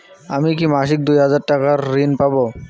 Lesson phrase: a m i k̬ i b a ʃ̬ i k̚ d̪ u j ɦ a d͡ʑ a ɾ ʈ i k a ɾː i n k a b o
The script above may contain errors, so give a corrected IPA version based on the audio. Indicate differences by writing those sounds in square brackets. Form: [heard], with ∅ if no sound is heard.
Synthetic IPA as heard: a m i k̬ i [m] a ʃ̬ i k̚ d̪ u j ɦ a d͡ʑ a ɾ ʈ [a] k a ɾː i n [p] a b o